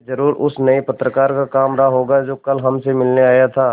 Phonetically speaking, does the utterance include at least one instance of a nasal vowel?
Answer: no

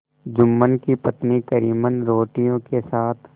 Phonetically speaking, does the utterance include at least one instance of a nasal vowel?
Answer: yes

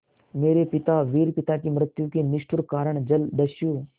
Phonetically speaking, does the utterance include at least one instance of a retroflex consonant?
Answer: yes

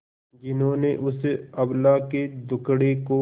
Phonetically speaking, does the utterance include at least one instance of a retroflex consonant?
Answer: yes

